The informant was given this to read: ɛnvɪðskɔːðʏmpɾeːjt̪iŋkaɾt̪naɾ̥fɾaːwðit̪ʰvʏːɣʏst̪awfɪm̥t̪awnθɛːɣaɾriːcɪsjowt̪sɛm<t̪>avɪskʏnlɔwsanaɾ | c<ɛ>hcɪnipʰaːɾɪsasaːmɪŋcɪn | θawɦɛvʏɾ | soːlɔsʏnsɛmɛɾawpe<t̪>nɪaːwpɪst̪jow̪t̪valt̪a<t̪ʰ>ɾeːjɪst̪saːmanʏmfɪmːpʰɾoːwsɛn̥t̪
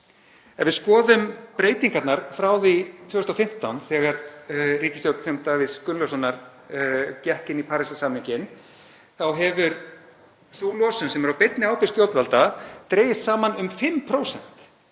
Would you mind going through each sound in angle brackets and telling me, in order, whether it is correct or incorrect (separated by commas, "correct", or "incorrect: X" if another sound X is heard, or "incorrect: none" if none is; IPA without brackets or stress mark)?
correct, correct, correct, incorrect: t̪